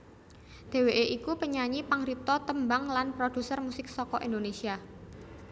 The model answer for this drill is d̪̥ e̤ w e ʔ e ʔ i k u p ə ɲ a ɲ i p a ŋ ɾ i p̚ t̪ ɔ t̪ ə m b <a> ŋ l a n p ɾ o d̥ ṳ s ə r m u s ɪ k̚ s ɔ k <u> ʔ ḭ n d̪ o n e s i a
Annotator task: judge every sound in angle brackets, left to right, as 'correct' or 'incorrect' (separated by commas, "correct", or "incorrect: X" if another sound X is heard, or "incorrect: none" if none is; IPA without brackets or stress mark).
correct, incorrect: ɔ